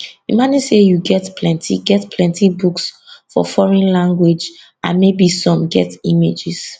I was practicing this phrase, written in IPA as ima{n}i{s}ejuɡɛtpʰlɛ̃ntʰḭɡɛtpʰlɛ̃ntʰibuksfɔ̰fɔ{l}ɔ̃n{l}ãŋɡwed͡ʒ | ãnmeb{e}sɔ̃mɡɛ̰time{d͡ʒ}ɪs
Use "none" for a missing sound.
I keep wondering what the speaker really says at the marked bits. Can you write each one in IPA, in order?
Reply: n, s, ɹ, l, i, d͡ʒ

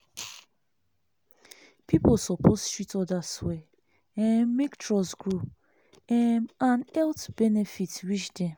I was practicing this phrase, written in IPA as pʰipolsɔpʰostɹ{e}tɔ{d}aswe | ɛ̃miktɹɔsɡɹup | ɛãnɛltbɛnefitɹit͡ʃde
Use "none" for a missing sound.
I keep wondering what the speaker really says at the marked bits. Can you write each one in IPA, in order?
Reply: i, d

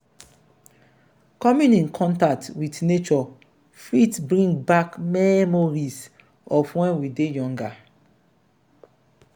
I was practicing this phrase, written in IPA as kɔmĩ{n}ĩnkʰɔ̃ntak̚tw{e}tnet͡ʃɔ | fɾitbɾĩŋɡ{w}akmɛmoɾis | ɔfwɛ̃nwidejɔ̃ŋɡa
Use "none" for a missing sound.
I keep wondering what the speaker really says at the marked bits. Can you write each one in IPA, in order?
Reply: n, i, b

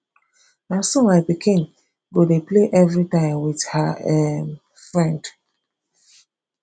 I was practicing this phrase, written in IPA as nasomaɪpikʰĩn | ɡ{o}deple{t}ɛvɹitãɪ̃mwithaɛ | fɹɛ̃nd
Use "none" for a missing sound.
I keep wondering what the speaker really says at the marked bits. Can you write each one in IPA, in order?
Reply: o, ʔ

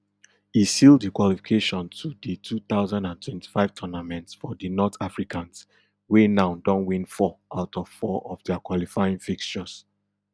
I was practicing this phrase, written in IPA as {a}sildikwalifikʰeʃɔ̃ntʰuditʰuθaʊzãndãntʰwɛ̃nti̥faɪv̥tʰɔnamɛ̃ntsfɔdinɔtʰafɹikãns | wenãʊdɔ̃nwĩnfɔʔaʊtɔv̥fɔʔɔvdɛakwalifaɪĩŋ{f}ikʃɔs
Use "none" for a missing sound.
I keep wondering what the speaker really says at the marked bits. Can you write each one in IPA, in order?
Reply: i, f

